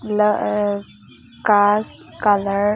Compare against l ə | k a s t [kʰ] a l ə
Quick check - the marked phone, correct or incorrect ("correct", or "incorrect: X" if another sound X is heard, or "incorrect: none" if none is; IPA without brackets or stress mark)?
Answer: incorrect: k